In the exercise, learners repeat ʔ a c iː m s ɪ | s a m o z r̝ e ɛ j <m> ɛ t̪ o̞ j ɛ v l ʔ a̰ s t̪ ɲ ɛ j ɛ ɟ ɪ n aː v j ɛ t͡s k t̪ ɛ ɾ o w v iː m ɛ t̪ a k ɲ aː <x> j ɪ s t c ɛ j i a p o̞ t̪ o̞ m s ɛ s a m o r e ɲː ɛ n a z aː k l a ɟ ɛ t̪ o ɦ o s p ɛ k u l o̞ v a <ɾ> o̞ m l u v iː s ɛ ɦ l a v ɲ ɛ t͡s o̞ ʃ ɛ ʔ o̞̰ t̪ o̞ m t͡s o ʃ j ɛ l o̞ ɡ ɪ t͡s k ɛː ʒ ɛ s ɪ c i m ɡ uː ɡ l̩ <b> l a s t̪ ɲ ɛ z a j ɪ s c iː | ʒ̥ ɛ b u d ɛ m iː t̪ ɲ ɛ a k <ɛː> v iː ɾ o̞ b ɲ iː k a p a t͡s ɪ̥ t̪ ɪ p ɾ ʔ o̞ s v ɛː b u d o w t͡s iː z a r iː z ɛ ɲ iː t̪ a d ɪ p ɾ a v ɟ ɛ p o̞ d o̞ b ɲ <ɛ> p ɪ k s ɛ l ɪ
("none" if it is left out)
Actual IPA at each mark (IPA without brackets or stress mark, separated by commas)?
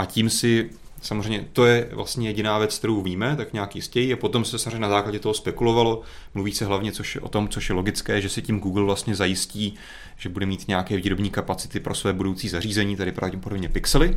ɲ, k, l, v, ɛː, ɛ